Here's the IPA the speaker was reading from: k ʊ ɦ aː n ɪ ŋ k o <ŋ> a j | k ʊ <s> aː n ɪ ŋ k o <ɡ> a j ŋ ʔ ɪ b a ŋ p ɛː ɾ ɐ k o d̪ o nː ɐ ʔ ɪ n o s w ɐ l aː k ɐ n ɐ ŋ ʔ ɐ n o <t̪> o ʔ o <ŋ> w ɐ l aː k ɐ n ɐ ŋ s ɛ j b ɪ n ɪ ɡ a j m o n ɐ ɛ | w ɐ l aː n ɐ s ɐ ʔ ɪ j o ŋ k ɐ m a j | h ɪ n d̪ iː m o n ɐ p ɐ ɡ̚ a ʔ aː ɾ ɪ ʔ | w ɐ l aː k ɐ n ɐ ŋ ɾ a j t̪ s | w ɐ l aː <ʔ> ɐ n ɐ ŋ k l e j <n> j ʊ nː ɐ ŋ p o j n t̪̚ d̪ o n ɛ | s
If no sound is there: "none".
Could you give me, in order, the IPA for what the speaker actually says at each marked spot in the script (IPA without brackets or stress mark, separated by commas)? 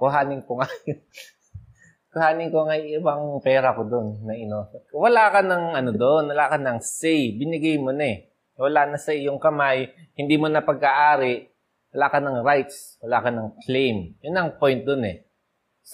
ŋ, h, ŋ, d̪, n, k, m